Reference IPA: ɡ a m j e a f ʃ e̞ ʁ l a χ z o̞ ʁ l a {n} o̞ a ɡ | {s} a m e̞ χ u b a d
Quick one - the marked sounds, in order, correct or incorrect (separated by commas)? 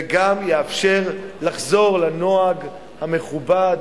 correct, incorrect